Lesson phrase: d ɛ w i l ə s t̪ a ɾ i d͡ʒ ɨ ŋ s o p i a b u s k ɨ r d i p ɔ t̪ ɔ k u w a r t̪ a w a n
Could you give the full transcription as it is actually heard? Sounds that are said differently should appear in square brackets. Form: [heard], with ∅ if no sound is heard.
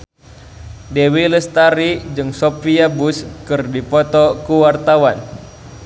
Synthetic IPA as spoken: d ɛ w i l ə s t̪ a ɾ i d͡ʒ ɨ ŋ s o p i a b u s k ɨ r d i p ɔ t̪ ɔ k u w a r t̪ a w a n